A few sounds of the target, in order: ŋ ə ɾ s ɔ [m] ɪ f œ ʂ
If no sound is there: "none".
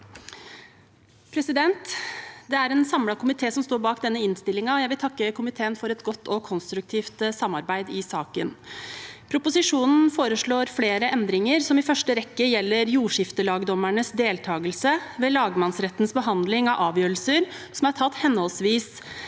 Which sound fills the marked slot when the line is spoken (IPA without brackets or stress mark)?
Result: m